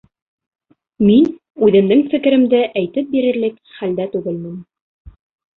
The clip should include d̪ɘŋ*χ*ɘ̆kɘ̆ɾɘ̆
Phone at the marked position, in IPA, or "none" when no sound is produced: f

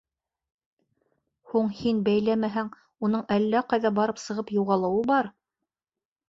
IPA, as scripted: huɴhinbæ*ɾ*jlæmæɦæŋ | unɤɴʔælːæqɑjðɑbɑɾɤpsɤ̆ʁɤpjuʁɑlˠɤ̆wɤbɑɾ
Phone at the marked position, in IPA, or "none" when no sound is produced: none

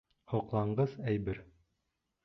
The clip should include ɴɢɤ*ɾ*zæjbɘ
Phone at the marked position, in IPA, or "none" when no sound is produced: none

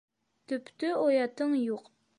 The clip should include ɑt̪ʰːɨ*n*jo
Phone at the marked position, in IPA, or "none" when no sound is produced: ŋ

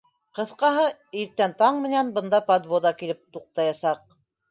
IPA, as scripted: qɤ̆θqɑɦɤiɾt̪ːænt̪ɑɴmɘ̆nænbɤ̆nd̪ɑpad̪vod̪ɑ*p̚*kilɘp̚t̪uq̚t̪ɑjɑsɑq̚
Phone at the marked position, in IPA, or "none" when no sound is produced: none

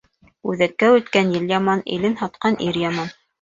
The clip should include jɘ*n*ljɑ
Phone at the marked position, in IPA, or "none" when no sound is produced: none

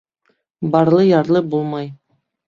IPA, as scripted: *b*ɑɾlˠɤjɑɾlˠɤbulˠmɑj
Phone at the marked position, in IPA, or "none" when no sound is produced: b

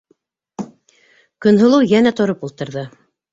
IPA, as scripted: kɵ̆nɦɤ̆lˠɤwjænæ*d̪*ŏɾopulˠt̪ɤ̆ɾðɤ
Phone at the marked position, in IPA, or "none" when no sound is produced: t̪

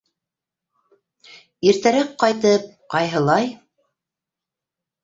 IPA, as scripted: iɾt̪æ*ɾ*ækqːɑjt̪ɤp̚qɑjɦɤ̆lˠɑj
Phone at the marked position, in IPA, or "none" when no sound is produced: ɾ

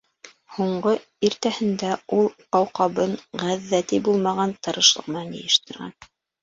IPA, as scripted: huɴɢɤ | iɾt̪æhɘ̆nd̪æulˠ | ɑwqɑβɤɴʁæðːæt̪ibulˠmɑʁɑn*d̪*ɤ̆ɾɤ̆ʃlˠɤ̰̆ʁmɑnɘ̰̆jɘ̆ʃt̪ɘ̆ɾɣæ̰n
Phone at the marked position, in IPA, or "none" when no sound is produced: t̪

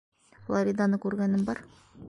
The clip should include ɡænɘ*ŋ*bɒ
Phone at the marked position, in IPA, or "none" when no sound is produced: m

